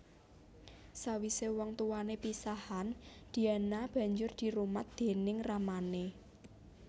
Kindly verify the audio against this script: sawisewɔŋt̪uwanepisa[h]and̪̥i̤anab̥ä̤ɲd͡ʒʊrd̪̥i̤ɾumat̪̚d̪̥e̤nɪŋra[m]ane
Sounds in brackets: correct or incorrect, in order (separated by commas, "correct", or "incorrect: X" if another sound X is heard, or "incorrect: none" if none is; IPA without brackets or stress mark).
correct, correct